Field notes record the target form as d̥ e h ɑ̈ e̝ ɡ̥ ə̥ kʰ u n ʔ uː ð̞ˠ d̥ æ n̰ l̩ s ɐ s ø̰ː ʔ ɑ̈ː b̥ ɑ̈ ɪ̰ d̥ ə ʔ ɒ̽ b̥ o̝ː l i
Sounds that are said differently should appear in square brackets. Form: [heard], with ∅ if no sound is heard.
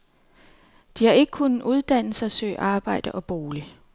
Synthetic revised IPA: d̥ [i] h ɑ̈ e̝ ɡ̥ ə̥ kʰ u n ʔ [u] ð̞ˠ d̥ æ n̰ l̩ s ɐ s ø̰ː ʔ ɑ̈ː b̥ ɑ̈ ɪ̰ d̥ ə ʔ ɒ̽ b̥ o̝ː l i